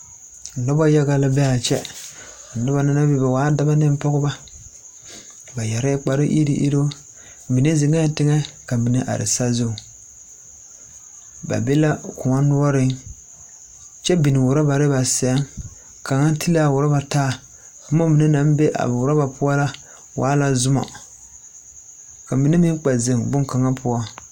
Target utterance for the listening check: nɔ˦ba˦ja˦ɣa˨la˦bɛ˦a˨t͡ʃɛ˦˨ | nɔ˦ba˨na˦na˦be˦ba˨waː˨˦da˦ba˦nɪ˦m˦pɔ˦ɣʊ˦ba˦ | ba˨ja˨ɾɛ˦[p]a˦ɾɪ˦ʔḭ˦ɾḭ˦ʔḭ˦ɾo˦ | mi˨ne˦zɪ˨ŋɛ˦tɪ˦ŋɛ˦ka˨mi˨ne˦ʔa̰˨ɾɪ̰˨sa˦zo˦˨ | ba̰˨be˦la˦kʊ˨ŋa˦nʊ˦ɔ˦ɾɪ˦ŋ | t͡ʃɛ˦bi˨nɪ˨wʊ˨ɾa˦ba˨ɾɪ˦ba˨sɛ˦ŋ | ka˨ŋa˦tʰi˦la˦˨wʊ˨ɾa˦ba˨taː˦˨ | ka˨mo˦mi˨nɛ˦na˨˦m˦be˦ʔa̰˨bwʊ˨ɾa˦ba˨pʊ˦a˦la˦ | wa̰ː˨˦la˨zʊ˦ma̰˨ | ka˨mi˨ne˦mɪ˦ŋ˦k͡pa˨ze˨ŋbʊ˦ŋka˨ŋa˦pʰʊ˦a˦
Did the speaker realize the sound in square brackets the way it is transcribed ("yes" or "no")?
no